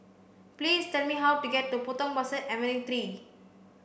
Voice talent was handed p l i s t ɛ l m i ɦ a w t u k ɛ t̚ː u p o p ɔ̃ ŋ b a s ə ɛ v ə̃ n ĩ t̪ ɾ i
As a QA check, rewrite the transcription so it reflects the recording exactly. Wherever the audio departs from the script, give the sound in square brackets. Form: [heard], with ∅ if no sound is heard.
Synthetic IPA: p l i s t ɛ l m i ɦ a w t u [ɡ] ɛ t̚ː u p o [t] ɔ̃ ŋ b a s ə ɛ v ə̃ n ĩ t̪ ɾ i

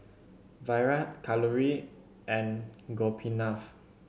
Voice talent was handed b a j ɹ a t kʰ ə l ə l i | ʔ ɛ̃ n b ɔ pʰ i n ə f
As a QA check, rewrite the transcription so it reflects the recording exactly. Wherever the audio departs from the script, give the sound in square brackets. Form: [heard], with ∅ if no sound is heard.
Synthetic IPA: [v] a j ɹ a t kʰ [a] l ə [ɹ] i | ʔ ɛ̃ n [ɡ] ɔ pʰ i n [a] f

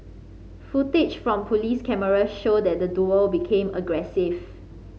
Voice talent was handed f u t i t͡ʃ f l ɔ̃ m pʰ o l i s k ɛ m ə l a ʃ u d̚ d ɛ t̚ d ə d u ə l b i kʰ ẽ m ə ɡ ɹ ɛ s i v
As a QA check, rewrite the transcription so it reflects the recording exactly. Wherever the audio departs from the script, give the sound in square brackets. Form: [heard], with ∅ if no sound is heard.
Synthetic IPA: f u t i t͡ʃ f [ɹ] ɔ̃ m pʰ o l i s k ɛ m ə [ɹ] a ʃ [o] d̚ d ɛ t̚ d ə d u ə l b i kʰ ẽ m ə ɡ ɹ ɛ s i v

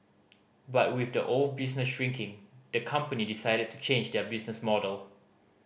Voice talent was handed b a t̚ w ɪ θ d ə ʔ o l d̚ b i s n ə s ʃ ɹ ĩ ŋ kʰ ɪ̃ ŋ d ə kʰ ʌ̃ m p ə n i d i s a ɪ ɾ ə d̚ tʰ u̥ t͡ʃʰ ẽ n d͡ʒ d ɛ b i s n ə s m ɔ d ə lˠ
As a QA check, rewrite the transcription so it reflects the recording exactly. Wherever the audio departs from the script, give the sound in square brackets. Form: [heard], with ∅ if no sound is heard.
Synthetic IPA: b a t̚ w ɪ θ d ə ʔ o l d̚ b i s n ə s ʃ ɹ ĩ ŋ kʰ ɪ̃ ŋ d ə kʰ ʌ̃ m p ə n i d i s a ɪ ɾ ə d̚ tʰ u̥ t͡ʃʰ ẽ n d͡ʒ d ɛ b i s n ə s m ɔ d ə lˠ

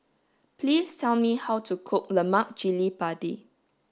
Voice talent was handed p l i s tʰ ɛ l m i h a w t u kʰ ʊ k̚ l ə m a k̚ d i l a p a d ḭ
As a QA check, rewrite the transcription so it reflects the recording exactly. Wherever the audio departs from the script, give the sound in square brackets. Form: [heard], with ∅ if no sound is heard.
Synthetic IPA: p l i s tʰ ɛ l m i h a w t u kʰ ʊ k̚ l ə m a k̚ [d͡ʒ] i l [i] p a d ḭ

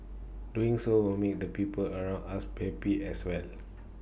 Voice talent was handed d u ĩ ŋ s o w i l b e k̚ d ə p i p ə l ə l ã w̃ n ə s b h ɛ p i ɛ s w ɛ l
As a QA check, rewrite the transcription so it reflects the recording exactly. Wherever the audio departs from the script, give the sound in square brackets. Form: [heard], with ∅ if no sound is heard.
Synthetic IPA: d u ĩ ŋ s o w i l [m] e k̚ d ə p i p ə l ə [ɹ] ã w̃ n [a] s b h ɛ p i ɛ s w ɛ l

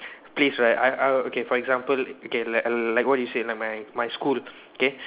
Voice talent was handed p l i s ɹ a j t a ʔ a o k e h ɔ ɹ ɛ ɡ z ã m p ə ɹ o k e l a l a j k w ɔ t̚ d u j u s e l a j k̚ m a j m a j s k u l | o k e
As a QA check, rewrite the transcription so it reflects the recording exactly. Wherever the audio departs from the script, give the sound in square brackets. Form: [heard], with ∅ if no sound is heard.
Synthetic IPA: p l i s ɹ a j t a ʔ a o k e [f] ɔ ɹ ɛ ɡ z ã m p ə [l] o k e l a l a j k w ɔ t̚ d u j u s e l a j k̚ m a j m a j s k u l | o k e

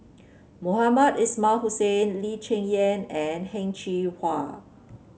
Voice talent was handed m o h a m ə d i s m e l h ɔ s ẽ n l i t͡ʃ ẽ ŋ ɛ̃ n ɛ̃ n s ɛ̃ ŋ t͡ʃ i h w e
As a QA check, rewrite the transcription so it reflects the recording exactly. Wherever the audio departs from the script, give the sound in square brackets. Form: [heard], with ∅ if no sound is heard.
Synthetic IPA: m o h a m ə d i s m [a] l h [u] s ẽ n l i t͡ʃ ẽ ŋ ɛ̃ n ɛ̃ n [h] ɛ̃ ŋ t͡ʃ i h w [a]

